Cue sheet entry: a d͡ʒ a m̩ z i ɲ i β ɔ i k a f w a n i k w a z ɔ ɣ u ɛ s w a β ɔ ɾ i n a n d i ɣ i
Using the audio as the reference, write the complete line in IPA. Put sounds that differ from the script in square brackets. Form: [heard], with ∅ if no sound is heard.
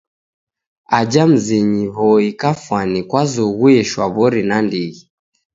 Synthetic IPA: a d͡ʒ a m̩ z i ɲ i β ɔ i k a f w a n i k w a z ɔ ɣ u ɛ [ʃ] w a β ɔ ɾ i n a n d i ɣ i